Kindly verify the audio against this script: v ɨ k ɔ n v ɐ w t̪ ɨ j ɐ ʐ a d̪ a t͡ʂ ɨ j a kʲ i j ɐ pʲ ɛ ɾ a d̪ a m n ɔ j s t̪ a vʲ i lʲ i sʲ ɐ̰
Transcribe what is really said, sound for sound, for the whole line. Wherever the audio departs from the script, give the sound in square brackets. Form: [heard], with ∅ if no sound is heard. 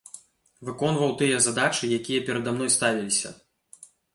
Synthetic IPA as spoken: v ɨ k ɔ n v ɐ w t̪ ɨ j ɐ [z] a d̪ a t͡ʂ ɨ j a kʲ i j ɐ pʲ ɛ ɾ [ɐ] d̪ a m n ɔ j s t̪ a vʲ i lʲ i sʲ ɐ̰